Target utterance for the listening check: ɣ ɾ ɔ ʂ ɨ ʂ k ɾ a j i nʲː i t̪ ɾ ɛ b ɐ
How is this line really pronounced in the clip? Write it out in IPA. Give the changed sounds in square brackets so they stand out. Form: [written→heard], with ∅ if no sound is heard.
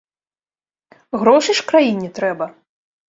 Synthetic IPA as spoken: ɣ ɾ ɔ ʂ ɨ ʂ k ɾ a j i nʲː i t̪ ɾ ɛ b ɐ